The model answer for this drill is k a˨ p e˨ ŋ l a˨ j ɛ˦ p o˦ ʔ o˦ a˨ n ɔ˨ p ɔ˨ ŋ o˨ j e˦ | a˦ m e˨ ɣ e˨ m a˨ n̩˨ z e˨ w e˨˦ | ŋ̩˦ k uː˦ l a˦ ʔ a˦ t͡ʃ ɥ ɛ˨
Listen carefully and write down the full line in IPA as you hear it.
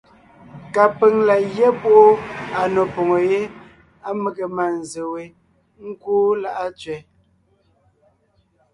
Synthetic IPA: k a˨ p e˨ ŋ l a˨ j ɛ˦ p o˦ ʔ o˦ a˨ n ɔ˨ p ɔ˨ ŋ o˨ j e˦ | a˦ m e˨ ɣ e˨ m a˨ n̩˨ z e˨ w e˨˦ | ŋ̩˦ k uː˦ l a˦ ʔ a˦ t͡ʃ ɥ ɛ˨

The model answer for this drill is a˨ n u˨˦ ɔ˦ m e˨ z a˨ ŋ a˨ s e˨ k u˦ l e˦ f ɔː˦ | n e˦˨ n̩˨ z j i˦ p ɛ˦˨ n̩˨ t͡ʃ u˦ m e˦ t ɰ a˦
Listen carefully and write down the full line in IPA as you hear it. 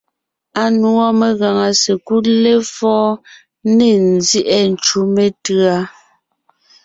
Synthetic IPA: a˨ n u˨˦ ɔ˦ m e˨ ɣ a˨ ŋ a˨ s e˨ k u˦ l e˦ f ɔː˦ | n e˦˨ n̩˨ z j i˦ ʔ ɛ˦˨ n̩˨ t͡ʃ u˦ m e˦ t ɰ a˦

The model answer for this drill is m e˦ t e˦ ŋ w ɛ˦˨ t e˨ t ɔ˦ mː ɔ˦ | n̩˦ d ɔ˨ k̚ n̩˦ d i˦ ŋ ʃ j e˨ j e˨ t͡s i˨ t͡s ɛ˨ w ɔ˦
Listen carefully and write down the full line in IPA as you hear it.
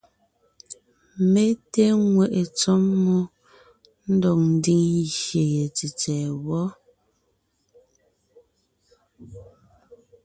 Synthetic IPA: m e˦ t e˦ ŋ w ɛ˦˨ ʔ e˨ t͡s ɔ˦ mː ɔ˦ | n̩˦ d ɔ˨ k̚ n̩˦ d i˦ ŋ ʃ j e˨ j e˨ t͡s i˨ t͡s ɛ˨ w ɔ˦

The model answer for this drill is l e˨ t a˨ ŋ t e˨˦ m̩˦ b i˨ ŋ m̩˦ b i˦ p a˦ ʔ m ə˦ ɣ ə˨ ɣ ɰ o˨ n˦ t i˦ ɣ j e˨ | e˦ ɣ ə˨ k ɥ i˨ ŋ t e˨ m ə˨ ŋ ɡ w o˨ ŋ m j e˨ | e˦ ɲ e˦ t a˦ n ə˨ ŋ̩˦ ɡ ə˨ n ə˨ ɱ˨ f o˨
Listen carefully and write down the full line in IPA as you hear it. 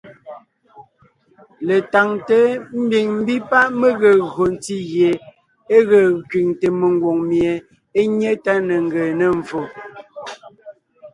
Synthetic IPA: l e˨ t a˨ ŋ t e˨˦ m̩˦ b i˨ ŋ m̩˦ b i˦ p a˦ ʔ m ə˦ ɣ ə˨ ɣ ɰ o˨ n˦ t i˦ ɣ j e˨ | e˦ ɣ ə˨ k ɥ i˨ ŋ t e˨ m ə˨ ŋ ɡ w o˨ ŋ m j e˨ | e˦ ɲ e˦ t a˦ n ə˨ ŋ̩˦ ɡ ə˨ n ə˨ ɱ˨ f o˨

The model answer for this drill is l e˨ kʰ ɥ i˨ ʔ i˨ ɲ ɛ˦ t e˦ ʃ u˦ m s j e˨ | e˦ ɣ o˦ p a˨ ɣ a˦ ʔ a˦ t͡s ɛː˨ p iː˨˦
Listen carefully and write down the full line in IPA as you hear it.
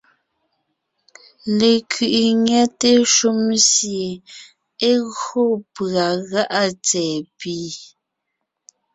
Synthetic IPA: l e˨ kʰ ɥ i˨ ʔ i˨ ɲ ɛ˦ t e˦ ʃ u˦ m s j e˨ | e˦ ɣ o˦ p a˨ ɣ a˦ ʔ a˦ t͡s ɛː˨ p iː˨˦

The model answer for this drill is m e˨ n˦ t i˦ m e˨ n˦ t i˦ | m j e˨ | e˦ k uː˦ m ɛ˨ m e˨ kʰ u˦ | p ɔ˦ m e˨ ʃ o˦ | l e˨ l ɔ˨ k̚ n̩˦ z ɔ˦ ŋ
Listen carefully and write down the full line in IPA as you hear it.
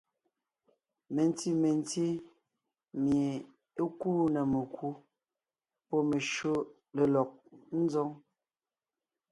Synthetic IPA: m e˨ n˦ t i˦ m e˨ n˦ t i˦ | m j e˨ | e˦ k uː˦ n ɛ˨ m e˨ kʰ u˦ | p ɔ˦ m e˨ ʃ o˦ | l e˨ l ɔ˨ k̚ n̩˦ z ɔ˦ ŋ

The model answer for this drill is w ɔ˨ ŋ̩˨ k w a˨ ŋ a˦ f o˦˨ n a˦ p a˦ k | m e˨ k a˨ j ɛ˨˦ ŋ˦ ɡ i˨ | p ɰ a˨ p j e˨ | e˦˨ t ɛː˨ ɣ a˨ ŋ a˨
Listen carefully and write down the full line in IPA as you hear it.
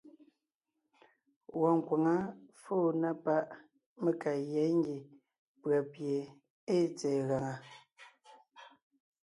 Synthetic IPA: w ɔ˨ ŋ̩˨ k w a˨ ŋ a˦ f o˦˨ n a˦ p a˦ ʔ | m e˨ k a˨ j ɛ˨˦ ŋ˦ ɡ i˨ | p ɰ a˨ p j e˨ | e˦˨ t͡s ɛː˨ ɣ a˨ ŋ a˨

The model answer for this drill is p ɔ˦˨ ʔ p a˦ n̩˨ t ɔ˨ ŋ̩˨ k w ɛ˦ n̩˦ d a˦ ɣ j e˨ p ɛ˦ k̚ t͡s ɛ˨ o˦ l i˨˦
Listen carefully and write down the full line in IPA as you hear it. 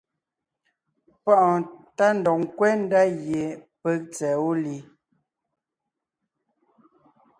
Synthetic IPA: p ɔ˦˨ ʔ t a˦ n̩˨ d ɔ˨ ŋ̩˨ k w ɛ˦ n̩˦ d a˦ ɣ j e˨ p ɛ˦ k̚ t͡s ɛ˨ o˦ l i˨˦

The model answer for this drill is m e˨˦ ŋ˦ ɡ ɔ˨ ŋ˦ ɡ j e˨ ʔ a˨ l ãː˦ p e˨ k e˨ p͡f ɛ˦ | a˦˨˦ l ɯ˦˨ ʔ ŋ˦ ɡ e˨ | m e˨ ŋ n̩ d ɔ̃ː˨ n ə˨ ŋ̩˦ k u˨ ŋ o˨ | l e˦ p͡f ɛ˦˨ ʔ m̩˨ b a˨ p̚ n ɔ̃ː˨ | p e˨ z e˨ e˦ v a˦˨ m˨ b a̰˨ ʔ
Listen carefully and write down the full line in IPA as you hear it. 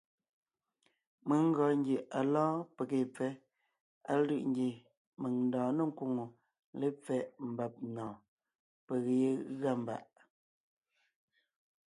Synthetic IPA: m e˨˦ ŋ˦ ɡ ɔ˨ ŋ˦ ɡ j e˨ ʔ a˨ l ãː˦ p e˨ k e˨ p͡f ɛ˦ | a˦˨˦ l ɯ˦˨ ʔ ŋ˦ ɡ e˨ | m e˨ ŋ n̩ d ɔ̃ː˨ n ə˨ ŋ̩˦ k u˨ ŋ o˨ | l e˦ p͡f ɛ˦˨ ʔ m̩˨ b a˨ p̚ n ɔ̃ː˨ | p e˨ ɣ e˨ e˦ ɣ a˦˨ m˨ b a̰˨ ʔ

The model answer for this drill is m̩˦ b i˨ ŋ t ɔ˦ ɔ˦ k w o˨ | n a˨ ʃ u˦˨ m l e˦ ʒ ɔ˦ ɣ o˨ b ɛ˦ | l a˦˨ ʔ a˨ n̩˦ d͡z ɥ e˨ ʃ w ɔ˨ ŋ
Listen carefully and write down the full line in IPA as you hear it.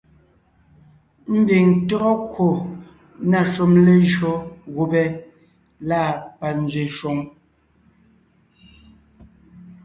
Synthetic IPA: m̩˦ b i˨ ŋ t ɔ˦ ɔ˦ k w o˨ | n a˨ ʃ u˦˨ m l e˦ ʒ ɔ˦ ɣ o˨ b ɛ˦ | l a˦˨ p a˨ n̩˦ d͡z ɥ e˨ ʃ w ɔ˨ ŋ

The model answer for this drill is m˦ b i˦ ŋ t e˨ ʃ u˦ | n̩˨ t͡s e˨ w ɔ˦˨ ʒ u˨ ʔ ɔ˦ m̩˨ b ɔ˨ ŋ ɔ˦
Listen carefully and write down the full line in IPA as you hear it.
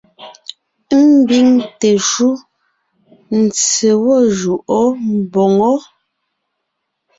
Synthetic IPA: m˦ b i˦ ŋ t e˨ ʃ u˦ | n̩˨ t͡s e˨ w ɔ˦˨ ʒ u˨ ʔ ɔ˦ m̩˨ b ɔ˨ ŋ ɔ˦

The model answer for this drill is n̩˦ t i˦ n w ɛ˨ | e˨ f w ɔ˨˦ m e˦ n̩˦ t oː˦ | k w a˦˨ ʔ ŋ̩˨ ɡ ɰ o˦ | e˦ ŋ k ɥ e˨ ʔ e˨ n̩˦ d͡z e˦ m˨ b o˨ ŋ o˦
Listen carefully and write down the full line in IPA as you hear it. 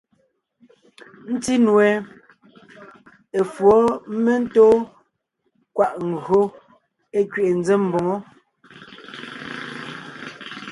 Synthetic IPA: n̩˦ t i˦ n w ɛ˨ | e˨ f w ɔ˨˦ m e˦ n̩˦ t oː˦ | k w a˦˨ ʔ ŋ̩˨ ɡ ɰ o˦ | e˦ k ɥ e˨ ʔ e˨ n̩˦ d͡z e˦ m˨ b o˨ ŋ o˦

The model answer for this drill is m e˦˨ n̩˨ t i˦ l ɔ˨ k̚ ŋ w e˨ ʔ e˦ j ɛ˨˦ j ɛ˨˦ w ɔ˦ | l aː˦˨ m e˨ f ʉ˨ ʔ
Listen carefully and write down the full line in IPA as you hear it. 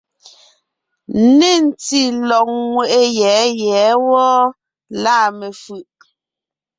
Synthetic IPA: n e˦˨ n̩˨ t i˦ l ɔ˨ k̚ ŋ w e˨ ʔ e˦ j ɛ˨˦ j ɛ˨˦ w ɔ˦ | l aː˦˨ m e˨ f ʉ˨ ʔ

